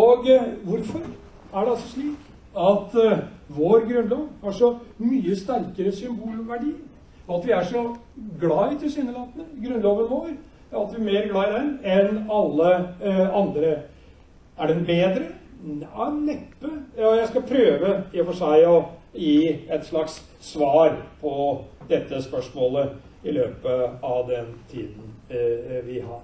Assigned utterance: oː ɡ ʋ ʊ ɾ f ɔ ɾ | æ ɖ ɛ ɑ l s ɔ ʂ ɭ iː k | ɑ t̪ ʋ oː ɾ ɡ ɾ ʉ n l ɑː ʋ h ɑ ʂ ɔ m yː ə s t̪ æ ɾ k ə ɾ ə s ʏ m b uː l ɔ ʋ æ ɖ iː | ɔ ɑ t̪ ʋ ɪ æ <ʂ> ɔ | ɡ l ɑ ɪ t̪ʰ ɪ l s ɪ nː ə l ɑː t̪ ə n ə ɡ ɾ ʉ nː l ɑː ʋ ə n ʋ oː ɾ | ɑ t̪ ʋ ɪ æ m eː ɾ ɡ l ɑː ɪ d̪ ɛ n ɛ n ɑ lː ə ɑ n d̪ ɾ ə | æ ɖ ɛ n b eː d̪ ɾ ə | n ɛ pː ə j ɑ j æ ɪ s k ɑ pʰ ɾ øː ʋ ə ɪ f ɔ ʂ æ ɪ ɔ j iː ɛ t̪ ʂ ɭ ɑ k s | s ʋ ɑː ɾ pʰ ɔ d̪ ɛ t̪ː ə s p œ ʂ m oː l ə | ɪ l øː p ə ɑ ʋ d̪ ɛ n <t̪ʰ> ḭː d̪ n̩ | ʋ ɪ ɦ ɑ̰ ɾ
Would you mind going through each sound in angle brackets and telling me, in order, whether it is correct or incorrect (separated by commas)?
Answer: correct, correct